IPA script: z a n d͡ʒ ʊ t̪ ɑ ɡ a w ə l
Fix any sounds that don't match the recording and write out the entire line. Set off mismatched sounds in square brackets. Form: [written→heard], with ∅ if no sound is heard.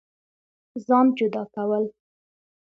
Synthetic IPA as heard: z [a→ɑ] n d͡ʒ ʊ [t̪→d̪] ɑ [ɡ→k] a w ə l